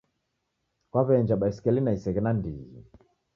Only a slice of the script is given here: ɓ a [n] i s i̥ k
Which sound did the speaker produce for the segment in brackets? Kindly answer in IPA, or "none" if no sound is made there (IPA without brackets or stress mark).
none